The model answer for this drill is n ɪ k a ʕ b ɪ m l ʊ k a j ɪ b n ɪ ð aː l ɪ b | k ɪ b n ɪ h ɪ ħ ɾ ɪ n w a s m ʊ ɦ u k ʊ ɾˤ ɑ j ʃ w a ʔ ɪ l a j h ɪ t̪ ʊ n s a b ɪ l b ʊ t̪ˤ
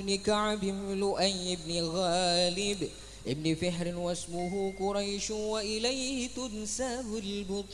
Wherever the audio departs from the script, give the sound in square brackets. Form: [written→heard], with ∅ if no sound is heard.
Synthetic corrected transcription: n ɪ k a ʕ b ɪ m l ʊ [k→ʔ] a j ɪ b n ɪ [ð→ɣ] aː l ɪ b | [k→ʔ] ɪ b n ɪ [h→f] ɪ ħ ɾ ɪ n w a s m ʊ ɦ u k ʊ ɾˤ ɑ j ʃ w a ʔ ɪ l a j h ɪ t̪ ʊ n s a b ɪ l b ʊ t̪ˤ